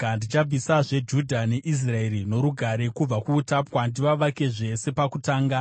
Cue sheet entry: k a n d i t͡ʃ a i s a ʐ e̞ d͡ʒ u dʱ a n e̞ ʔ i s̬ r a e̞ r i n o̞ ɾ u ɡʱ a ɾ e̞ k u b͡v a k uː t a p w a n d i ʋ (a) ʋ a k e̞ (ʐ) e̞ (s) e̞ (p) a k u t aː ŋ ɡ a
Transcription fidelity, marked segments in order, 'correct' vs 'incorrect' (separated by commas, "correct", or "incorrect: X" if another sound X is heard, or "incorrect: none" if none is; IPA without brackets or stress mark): correct, correct, correct, correct